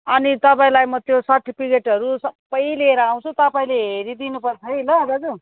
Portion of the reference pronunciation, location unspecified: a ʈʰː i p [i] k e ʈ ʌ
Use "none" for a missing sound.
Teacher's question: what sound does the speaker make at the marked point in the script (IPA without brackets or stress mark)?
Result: i